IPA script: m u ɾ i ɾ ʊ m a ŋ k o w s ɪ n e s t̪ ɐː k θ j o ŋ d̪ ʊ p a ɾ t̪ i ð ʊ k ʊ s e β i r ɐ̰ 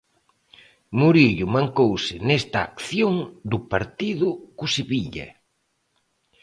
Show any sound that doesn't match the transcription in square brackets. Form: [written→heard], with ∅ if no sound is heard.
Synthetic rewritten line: m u ɾ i [ɾ→ʎ] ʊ m a ŋ k o w s ɪ n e s t̪ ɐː k θ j o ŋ d̪ ʊ p a ɾ t̪ i ð ʊ k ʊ s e β i [r→ʎ] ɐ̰